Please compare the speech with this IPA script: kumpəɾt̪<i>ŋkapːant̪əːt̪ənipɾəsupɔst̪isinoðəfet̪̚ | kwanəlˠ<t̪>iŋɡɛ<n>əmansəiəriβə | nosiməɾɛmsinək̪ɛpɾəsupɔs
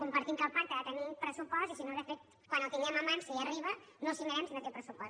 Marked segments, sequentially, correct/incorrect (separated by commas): correct, correct, incorrect